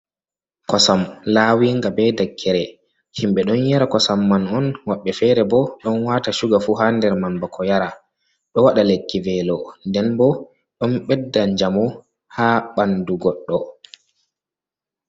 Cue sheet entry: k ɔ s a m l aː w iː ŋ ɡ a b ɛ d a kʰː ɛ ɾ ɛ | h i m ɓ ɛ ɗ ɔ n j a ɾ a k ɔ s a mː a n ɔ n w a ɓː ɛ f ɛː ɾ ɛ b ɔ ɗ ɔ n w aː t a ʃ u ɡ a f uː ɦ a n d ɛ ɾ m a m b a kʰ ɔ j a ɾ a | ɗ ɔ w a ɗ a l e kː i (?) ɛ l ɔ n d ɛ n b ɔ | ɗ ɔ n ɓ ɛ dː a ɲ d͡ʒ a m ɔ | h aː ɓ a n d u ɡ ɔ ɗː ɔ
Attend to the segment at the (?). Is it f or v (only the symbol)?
v